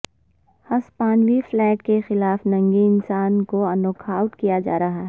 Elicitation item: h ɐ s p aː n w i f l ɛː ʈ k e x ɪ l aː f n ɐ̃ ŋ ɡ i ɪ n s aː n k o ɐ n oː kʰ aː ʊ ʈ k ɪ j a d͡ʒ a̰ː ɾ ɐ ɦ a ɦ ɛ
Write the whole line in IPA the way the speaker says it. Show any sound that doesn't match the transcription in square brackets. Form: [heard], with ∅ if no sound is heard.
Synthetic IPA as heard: h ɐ s p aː n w i f l ɛː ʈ k e x ɪ l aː f n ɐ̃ ŋ ɡ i ɪ n s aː n k o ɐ n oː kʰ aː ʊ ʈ k [i] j a d͡ʒ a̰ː ɾ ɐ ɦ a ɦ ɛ